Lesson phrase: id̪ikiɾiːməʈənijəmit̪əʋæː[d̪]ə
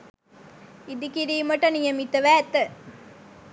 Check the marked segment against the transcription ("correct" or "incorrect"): incorrect